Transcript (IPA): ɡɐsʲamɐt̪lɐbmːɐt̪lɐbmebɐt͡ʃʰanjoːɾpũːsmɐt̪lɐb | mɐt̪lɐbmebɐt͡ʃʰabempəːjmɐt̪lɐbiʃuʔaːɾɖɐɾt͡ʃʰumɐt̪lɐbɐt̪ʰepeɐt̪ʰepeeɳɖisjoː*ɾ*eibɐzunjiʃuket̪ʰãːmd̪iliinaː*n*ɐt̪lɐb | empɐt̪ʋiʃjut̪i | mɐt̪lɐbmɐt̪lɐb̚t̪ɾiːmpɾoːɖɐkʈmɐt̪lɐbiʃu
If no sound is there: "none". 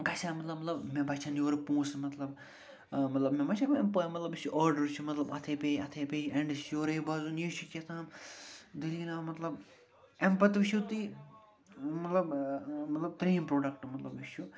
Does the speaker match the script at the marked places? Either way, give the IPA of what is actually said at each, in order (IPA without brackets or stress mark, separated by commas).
ɾ, m